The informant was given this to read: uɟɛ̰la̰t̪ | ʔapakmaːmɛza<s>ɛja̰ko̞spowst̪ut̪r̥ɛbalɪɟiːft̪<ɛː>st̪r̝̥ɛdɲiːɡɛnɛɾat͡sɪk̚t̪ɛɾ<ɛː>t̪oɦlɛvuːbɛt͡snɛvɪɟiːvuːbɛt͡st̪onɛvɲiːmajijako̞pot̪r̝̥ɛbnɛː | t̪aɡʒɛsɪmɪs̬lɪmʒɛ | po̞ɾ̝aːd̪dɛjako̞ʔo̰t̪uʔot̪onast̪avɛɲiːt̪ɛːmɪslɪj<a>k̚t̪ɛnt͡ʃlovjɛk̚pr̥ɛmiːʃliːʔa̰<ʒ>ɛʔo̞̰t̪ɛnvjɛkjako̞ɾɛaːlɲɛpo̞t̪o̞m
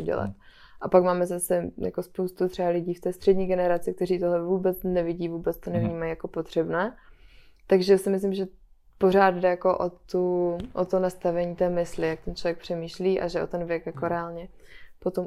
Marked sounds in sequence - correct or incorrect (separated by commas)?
correct, correct, incorrect, correct, correct